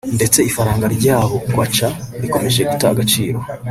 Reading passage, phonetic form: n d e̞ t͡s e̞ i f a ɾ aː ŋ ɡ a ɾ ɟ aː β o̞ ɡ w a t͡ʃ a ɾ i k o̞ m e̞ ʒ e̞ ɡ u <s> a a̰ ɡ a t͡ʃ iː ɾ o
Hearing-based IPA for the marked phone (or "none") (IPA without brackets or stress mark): t